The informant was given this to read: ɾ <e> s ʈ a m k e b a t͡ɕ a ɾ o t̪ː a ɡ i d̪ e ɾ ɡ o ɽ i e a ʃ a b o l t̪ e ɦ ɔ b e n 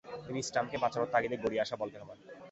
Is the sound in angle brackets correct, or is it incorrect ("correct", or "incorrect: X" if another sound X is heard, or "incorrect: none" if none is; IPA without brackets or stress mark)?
incorrect: i